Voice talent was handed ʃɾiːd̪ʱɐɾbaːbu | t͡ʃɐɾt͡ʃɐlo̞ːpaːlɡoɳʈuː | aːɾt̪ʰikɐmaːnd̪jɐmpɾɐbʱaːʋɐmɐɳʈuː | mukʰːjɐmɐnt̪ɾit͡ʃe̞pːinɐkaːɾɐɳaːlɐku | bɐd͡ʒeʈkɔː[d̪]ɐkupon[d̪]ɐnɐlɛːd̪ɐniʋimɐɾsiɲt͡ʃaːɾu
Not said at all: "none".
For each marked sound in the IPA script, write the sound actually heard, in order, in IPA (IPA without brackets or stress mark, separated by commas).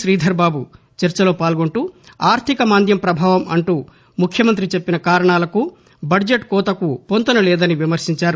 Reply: t̪, t̪